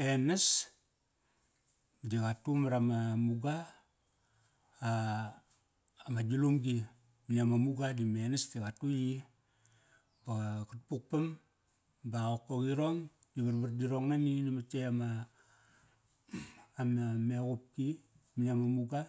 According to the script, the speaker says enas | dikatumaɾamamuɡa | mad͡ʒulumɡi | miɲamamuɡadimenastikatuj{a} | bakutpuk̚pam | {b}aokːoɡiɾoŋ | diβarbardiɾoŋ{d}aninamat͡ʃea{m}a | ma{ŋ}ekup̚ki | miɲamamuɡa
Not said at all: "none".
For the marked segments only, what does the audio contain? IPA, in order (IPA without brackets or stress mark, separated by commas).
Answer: i, b, n, m, m